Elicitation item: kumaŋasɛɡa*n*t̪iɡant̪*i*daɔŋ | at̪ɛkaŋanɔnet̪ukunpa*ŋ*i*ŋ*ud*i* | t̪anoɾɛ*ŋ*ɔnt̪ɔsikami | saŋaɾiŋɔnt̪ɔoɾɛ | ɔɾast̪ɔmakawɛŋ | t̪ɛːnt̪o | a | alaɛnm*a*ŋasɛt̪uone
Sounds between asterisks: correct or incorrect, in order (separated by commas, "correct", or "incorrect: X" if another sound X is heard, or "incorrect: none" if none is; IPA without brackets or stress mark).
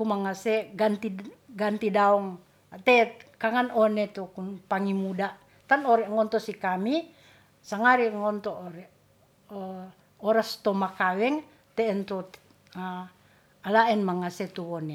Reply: correct, correct, correct, incorrect: m, incorrect: a, correct, correct